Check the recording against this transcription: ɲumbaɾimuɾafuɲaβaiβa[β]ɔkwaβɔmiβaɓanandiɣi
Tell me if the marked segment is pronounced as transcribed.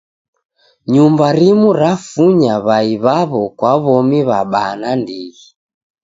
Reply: yes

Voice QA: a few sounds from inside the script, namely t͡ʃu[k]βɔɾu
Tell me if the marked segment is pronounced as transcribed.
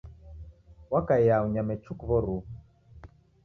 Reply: yes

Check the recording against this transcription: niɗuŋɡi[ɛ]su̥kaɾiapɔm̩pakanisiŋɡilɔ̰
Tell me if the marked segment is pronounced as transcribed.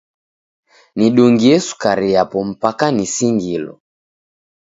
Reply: yes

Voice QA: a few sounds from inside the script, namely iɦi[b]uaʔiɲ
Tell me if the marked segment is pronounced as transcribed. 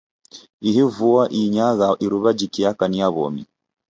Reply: no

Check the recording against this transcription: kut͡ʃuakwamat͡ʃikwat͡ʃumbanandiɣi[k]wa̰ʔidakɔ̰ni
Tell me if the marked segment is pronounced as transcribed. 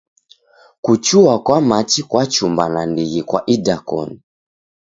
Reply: yes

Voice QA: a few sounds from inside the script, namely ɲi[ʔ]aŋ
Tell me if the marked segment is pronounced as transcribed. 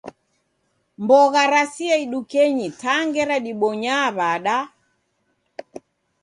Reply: no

